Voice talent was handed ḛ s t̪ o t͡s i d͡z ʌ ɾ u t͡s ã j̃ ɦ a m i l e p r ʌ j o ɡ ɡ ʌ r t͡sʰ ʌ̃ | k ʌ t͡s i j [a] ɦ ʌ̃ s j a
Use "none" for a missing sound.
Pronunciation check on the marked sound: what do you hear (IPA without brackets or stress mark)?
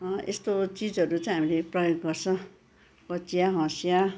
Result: a